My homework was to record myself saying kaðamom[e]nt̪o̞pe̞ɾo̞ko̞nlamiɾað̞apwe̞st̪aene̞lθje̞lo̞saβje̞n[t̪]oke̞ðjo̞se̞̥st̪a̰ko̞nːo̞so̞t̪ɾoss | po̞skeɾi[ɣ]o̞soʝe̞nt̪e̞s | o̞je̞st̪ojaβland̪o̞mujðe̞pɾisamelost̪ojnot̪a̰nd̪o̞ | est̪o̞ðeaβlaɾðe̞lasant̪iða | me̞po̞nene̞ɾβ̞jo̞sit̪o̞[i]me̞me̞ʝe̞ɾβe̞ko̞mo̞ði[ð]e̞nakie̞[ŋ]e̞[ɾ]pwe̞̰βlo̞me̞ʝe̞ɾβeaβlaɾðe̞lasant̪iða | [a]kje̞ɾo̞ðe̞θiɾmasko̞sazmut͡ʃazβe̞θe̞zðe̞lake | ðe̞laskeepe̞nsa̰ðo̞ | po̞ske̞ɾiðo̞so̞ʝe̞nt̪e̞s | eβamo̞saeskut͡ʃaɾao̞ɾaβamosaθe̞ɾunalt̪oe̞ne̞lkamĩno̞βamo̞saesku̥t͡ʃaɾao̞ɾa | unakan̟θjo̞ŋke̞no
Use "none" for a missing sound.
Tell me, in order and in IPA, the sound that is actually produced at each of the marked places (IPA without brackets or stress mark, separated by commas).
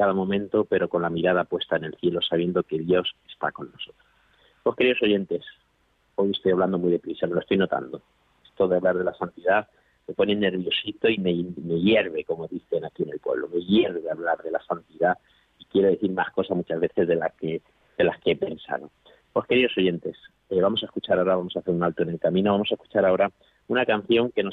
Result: ẽ, d̪, ð, i, θ, n, l, i